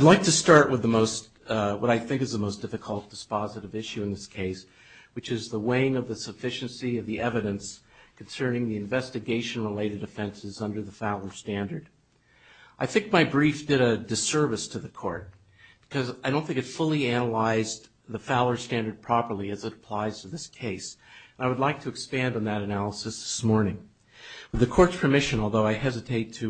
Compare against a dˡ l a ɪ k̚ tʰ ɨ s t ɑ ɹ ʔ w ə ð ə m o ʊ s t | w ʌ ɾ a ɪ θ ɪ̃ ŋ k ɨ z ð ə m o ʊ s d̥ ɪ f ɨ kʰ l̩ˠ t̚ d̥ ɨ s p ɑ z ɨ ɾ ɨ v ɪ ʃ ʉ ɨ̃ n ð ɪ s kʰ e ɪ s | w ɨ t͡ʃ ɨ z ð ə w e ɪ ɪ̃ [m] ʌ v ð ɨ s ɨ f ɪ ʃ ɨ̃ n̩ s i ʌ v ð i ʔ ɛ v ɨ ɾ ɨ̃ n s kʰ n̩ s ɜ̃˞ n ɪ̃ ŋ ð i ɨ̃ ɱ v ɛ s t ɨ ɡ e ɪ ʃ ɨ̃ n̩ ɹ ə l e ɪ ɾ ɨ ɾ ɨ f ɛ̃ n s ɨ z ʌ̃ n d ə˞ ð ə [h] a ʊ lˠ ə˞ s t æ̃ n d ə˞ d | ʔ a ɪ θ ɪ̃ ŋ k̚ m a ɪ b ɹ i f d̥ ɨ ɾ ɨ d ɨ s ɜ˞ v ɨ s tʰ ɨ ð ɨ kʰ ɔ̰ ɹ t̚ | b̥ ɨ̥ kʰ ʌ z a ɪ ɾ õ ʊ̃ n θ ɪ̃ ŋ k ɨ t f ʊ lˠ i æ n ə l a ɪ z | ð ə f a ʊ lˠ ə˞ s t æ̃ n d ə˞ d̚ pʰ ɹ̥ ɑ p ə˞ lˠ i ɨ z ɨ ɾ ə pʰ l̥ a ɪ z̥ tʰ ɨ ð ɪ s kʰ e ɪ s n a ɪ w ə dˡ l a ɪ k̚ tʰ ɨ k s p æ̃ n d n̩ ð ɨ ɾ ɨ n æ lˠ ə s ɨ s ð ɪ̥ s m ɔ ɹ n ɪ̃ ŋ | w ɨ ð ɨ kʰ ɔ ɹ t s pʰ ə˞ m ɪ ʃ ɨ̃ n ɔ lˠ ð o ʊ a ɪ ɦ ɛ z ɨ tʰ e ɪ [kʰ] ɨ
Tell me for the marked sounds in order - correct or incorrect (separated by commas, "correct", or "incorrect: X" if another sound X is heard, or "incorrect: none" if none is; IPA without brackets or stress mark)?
incorrect: ŋ, incorrect: f, incorrect: tʰ